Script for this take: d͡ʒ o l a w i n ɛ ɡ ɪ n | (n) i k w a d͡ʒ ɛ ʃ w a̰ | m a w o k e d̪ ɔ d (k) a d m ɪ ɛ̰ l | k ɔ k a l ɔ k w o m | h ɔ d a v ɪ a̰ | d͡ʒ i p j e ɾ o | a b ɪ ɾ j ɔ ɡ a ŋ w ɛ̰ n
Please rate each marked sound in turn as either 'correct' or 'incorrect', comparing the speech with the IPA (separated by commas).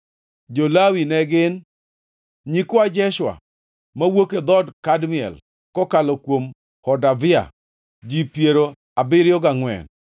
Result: incorrect, correct